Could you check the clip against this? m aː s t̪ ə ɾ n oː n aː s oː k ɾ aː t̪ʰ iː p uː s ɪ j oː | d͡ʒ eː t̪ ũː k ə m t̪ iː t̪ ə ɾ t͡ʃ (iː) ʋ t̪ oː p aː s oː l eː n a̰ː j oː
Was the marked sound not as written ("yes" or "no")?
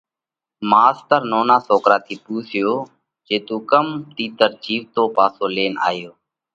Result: no